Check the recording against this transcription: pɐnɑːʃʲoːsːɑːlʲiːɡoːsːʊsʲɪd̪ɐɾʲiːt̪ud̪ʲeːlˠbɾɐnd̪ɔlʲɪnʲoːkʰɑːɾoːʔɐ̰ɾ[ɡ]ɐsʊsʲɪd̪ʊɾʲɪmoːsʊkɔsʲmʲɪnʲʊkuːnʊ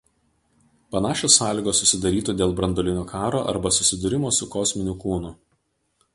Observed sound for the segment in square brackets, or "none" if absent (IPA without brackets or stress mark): b